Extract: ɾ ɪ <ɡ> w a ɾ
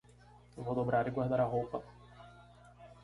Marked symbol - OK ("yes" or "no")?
yes